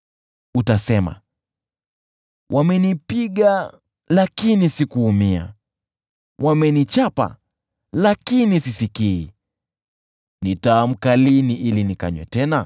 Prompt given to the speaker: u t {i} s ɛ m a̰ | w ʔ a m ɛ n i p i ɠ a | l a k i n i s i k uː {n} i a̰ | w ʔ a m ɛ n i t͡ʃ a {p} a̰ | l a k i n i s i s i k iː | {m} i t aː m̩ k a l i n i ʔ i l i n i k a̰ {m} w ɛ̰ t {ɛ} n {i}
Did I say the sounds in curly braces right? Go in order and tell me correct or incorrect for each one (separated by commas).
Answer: incorrect, incorrect, correct, incorrect, incorrect, correct, incorrect